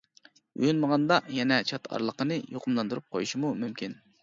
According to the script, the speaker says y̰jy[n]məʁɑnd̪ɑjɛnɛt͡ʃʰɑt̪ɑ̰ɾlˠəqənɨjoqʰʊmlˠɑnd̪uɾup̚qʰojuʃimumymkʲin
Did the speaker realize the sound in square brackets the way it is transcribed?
yes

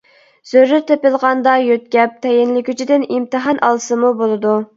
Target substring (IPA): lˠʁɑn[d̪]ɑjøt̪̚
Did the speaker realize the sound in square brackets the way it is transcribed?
yes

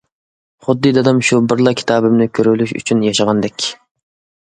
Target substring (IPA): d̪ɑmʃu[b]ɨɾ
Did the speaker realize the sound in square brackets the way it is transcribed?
yes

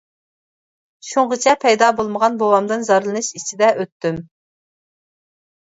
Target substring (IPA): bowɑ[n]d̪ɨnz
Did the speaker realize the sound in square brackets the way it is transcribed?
no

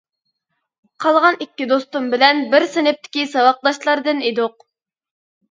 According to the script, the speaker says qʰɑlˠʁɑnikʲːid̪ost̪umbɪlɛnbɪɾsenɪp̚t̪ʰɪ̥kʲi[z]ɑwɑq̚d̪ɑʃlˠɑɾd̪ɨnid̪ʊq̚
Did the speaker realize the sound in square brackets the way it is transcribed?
no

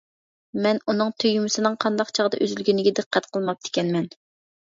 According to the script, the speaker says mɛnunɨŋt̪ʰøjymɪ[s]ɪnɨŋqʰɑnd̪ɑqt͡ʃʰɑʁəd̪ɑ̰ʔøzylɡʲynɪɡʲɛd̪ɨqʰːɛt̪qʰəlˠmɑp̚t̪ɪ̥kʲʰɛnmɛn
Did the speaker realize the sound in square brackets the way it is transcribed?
yes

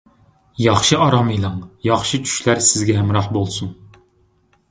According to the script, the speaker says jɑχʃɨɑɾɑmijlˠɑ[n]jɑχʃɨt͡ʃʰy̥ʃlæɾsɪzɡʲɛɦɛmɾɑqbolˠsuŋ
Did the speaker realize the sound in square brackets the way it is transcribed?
no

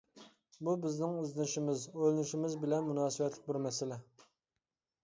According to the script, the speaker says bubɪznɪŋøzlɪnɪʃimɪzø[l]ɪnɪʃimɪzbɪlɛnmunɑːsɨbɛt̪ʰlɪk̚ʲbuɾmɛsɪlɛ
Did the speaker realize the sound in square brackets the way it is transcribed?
yes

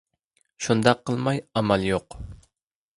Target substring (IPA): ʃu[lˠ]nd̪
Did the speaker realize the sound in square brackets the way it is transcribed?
no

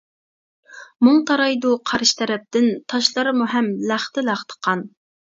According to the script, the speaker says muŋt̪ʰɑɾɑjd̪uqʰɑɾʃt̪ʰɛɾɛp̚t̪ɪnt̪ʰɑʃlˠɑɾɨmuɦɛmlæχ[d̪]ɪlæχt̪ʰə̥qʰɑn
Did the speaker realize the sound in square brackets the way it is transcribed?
no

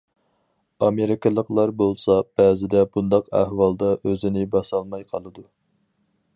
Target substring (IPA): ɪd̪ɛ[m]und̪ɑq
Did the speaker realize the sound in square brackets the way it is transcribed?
no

